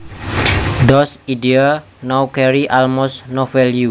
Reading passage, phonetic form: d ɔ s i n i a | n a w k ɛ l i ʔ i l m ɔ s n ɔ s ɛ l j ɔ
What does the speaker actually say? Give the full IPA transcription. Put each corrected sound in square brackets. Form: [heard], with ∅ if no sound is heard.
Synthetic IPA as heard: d ɔ s i [d] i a | n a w k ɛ [ɾ] i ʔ [a] l m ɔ s n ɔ [f] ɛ l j [u]